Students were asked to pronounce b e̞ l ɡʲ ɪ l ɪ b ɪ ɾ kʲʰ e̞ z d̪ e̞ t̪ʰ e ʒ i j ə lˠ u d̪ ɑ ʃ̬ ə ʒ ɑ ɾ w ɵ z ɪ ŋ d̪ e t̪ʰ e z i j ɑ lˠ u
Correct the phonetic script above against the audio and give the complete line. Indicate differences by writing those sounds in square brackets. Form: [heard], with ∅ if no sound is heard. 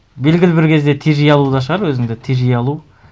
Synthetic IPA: b e̞ l ɡʲ ɪ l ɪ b ɪ ɾ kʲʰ e̞ z d̪ e̞ t̪ʰ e ʒ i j [ɑ] lˠ u d̪ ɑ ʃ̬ ə [ʁ] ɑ ɾ w ɵ z ɪ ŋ d̪ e t̪ʰ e [ʒ] i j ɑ lˠ u